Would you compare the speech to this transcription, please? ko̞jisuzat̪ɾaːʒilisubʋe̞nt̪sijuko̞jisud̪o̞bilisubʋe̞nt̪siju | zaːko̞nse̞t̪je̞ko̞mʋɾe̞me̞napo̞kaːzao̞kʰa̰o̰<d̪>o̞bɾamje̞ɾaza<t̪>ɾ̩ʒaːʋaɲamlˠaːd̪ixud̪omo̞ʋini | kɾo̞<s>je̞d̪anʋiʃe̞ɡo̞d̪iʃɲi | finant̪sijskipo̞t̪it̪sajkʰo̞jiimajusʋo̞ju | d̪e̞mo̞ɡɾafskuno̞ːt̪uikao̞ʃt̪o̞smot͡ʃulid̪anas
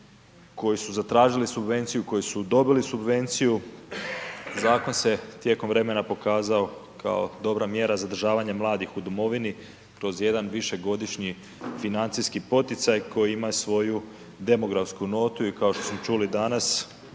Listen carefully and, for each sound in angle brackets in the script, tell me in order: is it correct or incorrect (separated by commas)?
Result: correct, incorrect, incorrect